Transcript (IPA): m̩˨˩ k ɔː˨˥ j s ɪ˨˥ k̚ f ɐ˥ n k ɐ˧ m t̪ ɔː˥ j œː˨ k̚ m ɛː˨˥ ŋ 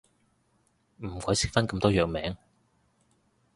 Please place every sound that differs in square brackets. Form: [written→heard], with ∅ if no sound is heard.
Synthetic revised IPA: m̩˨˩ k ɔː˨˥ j s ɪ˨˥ k̚ f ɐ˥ n k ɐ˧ m t̪ ɔː˥ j œː˨ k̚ m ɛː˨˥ ŋ